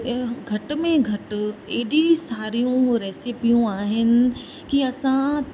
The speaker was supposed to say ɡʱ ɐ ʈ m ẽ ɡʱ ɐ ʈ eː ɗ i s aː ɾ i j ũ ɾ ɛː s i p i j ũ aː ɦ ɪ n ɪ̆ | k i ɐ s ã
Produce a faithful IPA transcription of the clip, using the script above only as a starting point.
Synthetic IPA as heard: ɡʱ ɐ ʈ m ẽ ɡʱ ɐ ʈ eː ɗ i s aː ɾ i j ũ ɾ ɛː s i p i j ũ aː ɦ ɪ n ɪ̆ | k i ɐ s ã